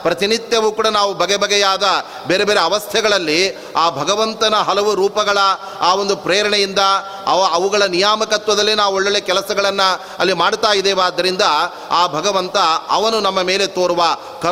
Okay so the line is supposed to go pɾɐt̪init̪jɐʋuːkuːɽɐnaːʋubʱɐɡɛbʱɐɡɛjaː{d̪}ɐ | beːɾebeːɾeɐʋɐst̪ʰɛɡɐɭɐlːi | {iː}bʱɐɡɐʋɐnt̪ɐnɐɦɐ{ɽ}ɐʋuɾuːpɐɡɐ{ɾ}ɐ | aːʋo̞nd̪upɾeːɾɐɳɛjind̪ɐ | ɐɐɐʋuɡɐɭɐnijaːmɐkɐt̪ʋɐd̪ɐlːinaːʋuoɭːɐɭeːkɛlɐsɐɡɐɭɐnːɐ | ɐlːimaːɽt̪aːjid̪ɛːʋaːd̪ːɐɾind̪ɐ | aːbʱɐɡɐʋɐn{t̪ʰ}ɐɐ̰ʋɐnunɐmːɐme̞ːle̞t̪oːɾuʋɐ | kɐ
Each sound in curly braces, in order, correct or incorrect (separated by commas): correct, incorrect, incorrect, incorrect, incorrect